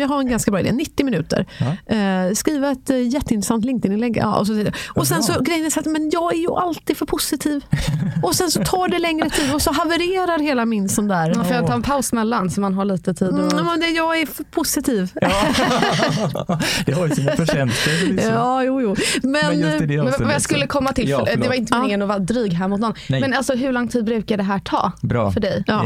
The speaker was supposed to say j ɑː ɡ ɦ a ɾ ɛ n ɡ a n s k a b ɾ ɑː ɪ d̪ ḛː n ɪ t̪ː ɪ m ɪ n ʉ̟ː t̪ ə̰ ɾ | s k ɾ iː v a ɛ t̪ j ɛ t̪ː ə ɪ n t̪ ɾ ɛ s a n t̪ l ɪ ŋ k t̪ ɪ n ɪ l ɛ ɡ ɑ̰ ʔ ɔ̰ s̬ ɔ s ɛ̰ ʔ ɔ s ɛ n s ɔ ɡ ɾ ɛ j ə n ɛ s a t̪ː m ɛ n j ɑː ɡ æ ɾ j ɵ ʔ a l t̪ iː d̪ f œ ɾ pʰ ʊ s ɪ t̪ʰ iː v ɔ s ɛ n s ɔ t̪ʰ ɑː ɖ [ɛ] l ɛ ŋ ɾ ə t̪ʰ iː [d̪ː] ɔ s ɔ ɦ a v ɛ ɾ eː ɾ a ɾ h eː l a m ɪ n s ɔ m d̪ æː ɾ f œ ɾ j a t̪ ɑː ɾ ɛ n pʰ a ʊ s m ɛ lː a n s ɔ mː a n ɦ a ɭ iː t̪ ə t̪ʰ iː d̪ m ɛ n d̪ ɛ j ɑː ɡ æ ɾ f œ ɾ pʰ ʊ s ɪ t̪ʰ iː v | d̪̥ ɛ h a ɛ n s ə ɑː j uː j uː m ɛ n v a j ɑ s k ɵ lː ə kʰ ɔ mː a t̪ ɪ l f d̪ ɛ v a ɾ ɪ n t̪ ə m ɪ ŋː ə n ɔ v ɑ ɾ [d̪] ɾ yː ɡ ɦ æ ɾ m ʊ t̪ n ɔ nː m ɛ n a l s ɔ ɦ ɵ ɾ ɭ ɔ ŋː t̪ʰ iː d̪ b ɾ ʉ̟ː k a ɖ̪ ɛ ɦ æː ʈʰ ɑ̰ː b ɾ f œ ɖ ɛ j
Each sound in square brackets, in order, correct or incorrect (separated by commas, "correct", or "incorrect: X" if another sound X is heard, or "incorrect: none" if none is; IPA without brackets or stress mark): correct, incorrect: d̪, correct